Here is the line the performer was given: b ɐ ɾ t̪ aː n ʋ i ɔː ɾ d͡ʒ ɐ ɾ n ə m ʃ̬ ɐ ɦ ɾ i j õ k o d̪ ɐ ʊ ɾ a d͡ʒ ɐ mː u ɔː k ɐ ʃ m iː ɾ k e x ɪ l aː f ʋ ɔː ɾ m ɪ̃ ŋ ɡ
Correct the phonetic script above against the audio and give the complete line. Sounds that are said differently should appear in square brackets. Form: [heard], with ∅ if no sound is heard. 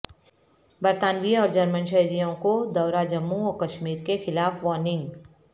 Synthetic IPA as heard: b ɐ ɾ t̪ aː n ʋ i ɔː ɾ d͡ʒ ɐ ɾ [m] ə [n] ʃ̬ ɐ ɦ ɾ i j õ k o d̪ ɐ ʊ ɾ a d͡ʒ ɐ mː u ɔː k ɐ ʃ m iː ɾ k e x ɪ l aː f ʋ ɔː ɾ [n] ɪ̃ ŋ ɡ